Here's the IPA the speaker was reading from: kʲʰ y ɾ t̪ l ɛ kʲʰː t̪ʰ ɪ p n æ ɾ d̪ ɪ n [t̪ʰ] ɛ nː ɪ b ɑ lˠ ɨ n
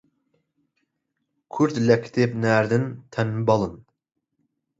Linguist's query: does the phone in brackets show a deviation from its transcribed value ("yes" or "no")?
no